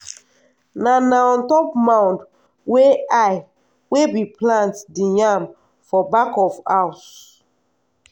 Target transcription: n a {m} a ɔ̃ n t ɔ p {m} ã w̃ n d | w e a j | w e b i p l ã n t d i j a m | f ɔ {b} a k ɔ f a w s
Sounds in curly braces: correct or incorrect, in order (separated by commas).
incorrect, correct, correct